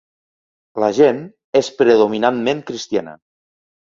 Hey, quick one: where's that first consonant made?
tongue tip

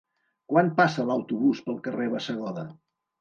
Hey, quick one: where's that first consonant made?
velum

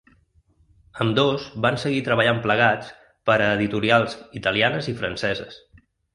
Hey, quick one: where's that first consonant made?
lips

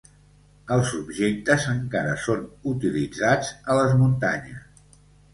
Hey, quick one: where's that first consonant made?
tongue tip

